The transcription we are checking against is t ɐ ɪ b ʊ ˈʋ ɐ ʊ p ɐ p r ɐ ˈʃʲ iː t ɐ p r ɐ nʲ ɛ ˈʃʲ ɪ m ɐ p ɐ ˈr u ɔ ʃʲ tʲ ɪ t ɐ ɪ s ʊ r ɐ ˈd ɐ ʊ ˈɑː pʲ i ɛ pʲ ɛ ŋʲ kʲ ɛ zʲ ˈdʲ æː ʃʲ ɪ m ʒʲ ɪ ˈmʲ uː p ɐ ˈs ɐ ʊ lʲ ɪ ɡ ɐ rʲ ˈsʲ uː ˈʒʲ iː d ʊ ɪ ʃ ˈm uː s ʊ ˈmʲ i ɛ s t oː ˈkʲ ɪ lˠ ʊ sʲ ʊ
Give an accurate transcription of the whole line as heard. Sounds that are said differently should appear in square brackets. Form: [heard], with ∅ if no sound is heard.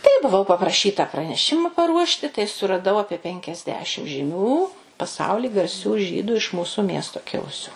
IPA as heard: t ɐ ɪ b ʊ ˈʋ ɐ ʊ p ɐ p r ɐ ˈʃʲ iː t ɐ p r ɐ nʲ ɛ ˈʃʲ ɪ m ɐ p ɐ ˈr u ɔ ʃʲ tʲ ɪ t ɐ ɪ s ʊ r ɐ ˈd ɐ ʊ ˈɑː pʲ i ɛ pʲ ɛ ŋʲ kʲ ɛ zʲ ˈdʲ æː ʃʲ ɪ m ʒʲ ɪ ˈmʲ uː p ɐ ˈs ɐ ʊ lʲ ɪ ɡ ɐ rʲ ˈsʲ uː ˈʒʲ iː d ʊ ɪ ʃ ˈm uː s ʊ ˈmʲ i ɛ s t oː ˈkʲ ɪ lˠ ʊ sʲ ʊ